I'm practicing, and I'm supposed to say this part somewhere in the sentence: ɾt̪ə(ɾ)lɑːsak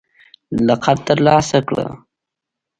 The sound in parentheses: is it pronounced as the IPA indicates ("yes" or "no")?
yes